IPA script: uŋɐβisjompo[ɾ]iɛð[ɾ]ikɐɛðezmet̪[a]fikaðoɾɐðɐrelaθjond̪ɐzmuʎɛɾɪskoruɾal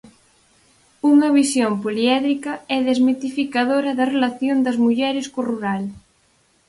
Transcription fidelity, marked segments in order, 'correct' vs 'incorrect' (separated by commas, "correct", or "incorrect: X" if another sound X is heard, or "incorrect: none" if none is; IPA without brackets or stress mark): incorrect: l, correct, incorrect: i